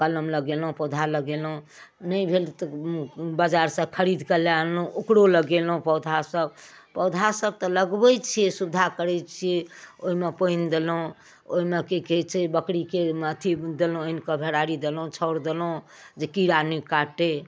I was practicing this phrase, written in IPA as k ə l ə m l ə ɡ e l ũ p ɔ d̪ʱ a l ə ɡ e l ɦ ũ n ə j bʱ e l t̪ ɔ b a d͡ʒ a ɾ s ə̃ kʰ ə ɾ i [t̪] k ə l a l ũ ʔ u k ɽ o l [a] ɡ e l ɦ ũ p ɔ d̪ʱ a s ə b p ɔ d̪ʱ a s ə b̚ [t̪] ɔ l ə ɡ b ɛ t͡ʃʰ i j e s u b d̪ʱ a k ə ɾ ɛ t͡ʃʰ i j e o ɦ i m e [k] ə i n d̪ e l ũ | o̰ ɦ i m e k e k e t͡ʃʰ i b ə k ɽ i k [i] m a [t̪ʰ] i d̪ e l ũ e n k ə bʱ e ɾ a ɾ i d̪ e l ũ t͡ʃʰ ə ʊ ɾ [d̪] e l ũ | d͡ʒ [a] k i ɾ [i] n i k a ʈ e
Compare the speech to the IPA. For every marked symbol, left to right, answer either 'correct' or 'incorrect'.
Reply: incorrect, incorrect, correct, incorrect, incorrect, correct, correct, incorrect, incorrect

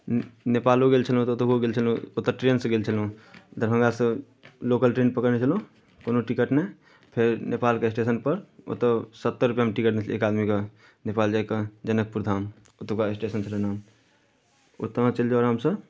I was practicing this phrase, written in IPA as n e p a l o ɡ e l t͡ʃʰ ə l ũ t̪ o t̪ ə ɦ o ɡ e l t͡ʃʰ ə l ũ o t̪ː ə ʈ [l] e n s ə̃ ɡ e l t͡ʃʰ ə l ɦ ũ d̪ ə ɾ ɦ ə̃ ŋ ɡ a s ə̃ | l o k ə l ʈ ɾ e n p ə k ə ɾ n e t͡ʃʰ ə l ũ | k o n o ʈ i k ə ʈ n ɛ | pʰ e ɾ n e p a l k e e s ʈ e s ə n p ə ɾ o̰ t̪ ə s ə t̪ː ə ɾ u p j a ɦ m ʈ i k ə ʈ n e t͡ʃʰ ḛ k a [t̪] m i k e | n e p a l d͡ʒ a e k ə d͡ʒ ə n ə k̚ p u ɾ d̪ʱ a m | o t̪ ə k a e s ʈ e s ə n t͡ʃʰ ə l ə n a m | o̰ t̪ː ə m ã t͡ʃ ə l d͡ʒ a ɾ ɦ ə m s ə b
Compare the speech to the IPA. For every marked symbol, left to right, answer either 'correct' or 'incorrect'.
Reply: incorrect, incorrect

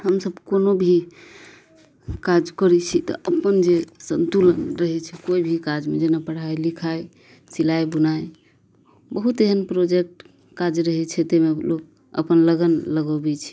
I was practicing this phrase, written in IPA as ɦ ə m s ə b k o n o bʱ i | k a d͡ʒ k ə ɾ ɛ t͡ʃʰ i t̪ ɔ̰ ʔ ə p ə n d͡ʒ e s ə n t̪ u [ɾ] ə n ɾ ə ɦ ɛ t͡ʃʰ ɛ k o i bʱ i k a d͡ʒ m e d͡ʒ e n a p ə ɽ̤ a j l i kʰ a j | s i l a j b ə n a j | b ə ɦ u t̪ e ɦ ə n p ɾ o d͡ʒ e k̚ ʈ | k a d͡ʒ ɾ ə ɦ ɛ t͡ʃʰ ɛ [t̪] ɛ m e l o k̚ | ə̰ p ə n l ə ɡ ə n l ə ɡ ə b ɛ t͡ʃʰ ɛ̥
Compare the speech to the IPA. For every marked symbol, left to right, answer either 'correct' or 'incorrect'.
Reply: incorrect, correct

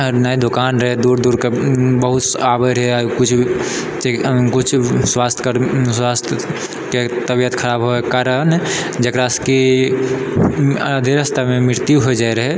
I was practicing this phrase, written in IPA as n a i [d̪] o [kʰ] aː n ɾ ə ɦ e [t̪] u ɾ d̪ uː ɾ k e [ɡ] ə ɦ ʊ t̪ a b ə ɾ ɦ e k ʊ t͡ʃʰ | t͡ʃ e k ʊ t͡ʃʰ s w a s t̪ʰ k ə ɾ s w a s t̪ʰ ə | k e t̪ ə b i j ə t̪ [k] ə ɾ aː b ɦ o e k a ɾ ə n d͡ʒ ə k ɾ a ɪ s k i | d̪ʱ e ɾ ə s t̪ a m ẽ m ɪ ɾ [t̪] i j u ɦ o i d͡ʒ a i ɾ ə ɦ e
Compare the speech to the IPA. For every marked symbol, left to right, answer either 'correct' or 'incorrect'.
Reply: correct, incorrect, incorrect, incorrect, incorrect, correct

